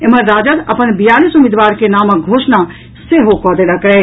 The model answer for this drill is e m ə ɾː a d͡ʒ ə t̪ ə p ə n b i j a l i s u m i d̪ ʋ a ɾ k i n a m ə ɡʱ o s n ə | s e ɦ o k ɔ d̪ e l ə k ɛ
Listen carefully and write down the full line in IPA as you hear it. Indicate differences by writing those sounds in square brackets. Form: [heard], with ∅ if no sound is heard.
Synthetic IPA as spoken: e m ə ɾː a d͡ʒ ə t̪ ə p ə n b i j a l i s u m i d̪ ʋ a ɾ k [e] n a m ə ɡʱ o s n [a] | s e ɦ o k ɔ d̪ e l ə k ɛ